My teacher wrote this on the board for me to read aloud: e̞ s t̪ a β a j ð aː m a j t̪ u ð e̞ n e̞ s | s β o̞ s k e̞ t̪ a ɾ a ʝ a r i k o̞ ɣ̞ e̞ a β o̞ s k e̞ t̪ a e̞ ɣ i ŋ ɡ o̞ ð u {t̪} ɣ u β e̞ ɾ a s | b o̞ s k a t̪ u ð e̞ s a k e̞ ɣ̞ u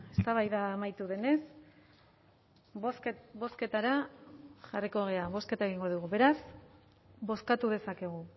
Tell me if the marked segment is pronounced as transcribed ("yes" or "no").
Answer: no